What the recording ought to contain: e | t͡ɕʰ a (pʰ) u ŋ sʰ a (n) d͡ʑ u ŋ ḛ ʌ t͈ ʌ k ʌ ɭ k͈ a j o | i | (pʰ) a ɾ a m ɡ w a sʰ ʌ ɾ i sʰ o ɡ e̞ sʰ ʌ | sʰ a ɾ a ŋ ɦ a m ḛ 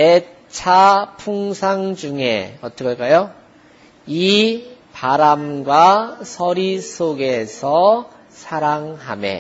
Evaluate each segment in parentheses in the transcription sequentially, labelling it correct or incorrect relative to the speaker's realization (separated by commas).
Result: correct, incorrect, incorrect